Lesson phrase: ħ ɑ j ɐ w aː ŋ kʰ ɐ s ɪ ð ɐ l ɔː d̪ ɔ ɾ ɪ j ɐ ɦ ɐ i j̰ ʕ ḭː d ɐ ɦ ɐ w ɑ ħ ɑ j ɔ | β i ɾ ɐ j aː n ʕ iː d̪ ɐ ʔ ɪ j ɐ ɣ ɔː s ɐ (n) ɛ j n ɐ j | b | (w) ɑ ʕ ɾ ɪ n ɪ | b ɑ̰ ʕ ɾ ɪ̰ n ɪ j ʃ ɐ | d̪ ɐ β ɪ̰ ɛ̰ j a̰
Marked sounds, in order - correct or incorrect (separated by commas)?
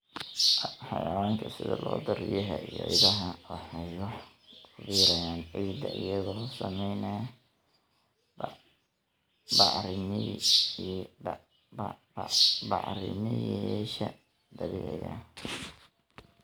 incorrect, incorrect